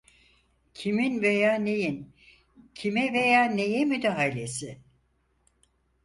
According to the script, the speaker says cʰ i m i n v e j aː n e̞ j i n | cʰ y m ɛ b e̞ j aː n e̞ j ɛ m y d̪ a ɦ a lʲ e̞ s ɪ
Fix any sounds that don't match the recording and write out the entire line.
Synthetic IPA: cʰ i m i n v e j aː n e̞ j i n | cʰ i m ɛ v e̞ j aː n e̞ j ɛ m y d̪ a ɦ a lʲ e̞ s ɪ